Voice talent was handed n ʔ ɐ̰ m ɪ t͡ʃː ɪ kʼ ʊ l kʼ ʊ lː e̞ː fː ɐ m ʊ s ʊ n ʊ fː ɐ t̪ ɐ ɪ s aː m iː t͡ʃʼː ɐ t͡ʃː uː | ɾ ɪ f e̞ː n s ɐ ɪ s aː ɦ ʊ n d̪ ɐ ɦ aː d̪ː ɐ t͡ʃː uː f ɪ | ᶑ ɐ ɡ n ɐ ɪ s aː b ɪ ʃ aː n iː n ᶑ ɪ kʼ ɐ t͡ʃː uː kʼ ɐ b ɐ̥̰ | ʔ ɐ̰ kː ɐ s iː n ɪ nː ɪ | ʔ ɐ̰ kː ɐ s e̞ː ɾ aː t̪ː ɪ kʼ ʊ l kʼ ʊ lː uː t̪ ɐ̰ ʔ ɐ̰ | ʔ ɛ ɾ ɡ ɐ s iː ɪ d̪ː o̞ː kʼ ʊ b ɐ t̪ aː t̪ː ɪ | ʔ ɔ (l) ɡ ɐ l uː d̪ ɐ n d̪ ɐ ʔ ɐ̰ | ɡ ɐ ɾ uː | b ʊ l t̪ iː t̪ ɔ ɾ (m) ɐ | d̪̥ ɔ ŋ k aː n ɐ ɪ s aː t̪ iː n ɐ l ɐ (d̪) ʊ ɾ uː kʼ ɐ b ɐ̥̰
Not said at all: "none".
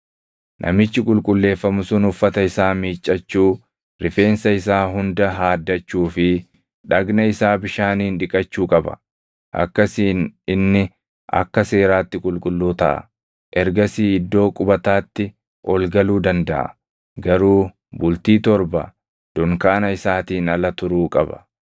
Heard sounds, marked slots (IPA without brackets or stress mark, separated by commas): l, b, t̪